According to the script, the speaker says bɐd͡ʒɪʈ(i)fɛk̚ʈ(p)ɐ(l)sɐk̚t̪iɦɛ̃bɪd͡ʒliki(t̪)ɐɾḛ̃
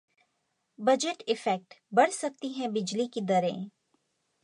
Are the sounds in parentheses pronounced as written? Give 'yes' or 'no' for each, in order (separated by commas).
no, no, no, no